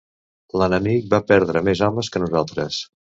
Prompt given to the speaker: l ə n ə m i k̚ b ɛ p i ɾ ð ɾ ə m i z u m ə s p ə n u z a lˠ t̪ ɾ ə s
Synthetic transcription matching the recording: l ə n ə m i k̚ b a p ɛ ɾ ð ɾ ə m e z ɔ m ə s k ə n u z a lˠ t̪ ɾ ə s